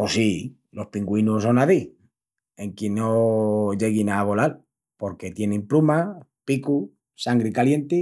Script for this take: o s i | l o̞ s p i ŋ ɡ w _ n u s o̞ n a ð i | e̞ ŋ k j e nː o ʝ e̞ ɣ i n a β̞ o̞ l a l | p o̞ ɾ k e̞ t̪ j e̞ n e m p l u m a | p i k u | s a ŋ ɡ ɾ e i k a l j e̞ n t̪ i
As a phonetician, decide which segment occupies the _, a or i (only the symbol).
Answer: i